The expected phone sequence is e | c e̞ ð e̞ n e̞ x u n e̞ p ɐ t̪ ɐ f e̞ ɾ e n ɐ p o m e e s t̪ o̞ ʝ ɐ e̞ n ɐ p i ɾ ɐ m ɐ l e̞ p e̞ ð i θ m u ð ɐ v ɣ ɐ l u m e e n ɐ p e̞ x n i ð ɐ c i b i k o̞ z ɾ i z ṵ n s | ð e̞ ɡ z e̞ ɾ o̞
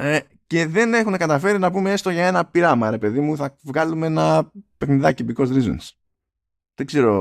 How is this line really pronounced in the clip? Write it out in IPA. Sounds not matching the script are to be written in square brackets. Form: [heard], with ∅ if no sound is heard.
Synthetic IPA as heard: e | c e̞ ð e̞ n e̞ x u n e̞ [k] ɐ t̪ ɐ f e̞ ɾ [i] n ɐ p [u] m e e s t̪ o̞ ʝ ɐ e̞ n ɐ p i ɾ ɐ m ɐ [ɾ] e̞ p e̞ ð i [∅] m u [θ] ɐ v ɣ ɐ l u m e e n ɐ p e̞ x n i ð ɐ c i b i k o̞ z ɾ i z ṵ n s | ð e̞ ɡ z e̞ ɾ o̞